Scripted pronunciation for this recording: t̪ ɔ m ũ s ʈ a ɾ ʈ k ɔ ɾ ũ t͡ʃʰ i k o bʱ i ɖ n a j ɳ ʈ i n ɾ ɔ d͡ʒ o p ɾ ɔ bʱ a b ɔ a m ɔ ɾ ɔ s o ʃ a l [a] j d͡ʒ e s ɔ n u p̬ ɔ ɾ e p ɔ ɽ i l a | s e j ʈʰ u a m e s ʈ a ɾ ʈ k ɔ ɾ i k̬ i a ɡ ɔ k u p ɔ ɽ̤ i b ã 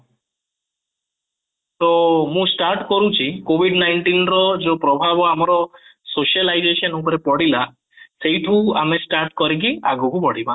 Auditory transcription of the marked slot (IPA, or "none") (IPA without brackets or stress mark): a